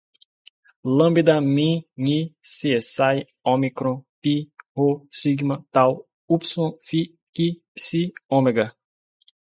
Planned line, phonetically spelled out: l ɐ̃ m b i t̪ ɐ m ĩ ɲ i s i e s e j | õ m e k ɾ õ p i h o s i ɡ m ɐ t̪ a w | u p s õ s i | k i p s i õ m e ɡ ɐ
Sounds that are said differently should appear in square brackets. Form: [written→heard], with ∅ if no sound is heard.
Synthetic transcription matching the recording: l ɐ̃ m b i [t̪→d̪] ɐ m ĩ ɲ i s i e s [e→a] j | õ m [e→i] k ɾ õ p i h o s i ɡ m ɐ t̪ a w | u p s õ [s→f] i | k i p s i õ m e ɡ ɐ